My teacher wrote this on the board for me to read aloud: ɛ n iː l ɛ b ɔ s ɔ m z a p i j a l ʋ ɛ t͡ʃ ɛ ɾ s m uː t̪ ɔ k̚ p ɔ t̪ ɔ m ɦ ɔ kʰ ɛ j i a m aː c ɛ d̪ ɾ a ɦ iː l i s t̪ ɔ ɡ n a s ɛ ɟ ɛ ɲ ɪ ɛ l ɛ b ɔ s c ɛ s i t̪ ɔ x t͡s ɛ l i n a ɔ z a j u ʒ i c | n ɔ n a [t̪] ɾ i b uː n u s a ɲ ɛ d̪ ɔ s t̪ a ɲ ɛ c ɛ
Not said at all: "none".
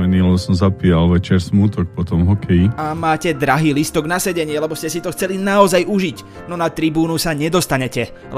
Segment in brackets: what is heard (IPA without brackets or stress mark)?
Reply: t̪